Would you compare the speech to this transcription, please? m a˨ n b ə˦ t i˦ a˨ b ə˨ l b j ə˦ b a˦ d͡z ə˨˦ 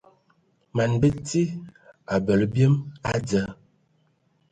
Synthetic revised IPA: m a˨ n b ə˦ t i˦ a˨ b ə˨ l b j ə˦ m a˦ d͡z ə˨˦